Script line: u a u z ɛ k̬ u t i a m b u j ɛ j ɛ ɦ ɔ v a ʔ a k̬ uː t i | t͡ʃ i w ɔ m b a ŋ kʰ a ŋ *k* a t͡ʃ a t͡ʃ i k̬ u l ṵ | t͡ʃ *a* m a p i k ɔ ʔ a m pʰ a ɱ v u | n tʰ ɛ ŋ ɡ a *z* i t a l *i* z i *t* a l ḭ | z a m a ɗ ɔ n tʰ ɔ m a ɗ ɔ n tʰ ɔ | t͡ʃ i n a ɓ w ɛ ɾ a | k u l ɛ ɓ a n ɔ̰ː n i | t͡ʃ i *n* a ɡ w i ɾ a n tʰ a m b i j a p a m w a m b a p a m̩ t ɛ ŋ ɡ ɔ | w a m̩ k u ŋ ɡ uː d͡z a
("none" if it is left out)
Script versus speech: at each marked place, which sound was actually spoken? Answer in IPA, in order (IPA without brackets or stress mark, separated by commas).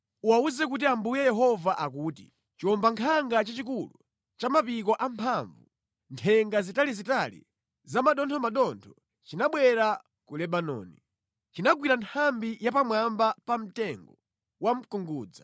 ɡ, a, z, i, t, n